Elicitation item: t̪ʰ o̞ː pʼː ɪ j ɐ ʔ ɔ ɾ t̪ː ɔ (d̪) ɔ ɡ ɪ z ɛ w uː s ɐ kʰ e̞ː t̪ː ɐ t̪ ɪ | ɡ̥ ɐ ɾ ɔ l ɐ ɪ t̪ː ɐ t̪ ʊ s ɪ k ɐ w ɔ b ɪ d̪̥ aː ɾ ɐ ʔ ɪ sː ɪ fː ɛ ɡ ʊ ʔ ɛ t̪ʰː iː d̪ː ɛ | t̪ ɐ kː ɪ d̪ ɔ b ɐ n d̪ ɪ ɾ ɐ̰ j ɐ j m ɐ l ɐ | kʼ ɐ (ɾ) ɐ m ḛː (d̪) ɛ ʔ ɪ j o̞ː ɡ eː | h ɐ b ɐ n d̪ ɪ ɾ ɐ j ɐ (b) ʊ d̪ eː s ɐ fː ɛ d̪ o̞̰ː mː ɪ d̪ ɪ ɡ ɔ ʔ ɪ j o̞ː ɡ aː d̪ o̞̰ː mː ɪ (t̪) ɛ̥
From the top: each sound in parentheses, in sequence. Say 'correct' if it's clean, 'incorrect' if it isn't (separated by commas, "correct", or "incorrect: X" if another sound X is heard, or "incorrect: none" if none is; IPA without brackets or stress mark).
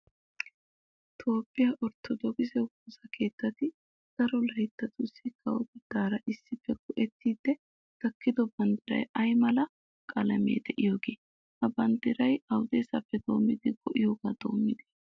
correct, incorrect: l, correct, incorrect: w, incorrect: d̪